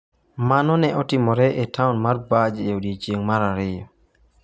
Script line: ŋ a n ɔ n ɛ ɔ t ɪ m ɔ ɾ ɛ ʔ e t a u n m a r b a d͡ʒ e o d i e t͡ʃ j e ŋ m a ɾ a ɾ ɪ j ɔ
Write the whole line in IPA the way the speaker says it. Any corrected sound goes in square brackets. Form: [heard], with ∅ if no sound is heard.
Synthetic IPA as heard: [m] a n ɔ n ɛ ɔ t ɪ m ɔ ɾ ɛ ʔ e t a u n m a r b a d͡ʒ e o d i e t͡ʃ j e ŋ m a ɾ a ɾ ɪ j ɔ